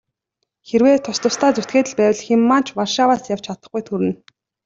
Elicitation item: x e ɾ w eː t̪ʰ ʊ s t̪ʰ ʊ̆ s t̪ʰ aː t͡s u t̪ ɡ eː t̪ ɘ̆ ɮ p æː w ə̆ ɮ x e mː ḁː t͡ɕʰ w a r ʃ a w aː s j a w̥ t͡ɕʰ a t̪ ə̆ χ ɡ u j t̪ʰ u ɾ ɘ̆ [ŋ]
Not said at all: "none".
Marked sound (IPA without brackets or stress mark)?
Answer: n